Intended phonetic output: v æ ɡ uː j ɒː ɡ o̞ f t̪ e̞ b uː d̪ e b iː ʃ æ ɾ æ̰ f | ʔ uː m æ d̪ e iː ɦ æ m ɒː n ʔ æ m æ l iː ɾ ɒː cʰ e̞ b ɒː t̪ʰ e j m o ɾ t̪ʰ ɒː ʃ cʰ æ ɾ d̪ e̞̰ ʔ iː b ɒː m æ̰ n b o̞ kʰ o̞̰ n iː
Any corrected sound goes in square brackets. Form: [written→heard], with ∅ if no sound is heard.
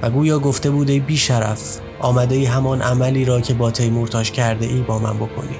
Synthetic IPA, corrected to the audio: v æ ɡ uː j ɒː ɡ o̞ f t̪ e̞ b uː d̪ e b iː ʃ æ ɾ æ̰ f | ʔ [uː→ɒː] m æ d̪ e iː ɦ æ m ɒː n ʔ æ m æ l iː ɾ ɒː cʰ e̞ b ɒː t̪ʰ e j m o ɾ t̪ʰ ɒː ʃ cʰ æ ɾ d̪ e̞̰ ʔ iː b ɒː m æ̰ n b o̞ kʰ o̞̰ n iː